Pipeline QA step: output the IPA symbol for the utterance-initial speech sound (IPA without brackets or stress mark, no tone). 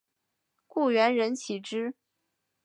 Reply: k